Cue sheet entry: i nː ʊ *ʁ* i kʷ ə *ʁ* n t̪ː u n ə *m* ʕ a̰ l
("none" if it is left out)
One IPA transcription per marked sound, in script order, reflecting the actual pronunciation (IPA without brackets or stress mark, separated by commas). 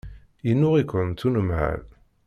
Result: ʁ, none, m